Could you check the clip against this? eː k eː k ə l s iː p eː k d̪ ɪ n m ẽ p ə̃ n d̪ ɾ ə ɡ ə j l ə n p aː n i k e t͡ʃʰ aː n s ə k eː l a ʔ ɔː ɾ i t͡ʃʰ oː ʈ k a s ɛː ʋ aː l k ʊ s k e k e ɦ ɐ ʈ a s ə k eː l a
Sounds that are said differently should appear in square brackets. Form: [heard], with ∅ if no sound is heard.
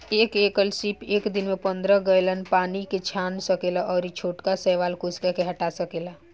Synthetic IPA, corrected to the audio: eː k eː k ə l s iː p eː k d̪ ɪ n m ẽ p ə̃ n d̪ ɾ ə ɡ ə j l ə n p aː n i k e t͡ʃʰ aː n s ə k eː l a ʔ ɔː ɾ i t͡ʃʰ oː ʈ k a s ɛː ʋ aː l k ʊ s k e k e ɦ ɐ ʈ a s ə k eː l a